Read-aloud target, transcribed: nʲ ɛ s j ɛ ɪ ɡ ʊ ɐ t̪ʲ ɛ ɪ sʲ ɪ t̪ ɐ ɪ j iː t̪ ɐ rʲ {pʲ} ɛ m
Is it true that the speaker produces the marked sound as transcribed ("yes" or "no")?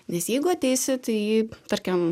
no